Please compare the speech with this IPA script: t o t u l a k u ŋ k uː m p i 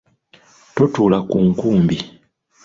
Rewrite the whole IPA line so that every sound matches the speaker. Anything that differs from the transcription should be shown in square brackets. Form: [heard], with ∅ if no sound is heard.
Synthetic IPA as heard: t o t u l a k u ŋ k uː m [b] i